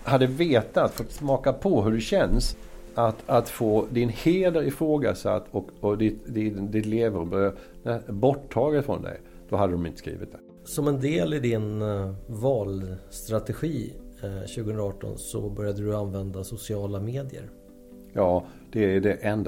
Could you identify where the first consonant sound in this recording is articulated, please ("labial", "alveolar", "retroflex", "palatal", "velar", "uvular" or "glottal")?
glottal